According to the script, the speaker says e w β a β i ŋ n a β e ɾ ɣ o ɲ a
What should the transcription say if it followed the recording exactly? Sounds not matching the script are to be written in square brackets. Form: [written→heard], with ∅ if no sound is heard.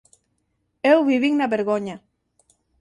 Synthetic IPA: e w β [a→i] β i ŋ n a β e ɾ ɣ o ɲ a

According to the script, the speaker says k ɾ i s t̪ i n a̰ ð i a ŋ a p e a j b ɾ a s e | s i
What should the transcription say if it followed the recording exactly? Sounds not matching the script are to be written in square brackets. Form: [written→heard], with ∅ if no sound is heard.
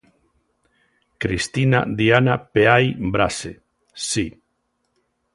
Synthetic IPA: k ɾ i s t̪ i n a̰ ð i a [ŋ→n] a p e a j b ɾ a s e | s i

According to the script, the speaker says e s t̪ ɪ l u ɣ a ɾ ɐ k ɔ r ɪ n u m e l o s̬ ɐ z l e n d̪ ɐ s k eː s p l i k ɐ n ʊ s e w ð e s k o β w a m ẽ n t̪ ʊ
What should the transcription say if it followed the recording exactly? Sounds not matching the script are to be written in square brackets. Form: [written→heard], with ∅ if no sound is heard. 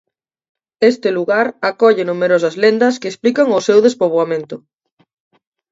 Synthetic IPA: e s t̪ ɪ l u ɣ a ɾ [ɐ→a] k ɔ [r→ʎ] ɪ n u m e [l→ɾ] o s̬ ɐ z l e n d̪ ɐ s k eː s p l i k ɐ [n→ŋ] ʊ s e w ð e s [k→p] o β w a m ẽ n t̪ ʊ

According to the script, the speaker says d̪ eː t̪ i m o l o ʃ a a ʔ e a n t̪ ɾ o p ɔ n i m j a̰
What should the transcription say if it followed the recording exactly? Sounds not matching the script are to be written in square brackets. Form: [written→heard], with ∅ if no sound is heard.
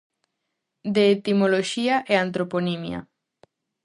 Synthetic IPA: d̪ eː t̪ i m o l o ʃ [a→i] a ʔ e a n t̪ ɾ o p [ɔ→o] n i m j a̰

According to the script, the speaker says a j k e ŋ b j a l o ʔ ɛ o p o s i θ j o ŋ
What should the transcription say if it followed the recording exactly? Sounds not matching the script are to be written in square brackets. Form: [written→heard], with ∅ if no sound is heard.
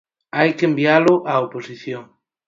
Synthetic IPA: a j k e [ŋ→m] b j a l o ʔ [ɛ→a] o p o s i θ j o ŋ

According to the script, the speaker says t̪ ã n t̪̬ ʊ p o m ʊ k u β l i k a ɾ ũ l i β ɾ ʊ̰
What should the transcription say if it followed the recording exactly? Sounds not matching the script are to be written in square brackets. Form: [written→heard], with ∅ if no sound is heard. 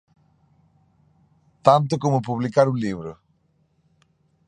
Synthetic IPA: t̪ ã n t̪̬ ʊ [p→k] o m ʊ [k→p] u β l i k a ɾ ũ l i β ɾ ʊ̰

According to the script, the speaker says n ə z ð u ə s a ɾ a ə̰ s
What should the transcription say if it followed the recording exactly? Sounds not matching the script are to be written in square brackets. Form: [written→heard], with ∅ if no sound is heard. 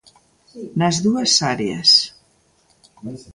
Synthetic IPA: n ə z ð u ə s a ɾ [a→e] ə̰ s

